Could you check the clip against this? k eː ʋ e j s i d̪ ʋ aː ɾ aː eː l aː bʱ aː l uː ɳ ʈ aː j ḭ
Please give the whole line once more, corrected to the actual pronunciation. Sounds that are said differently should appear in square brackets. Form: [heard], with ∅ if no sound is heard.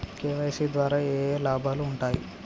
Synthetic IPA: k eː ʋ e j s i d̪ ʋ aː ɾ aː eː l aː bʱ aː l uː ɳ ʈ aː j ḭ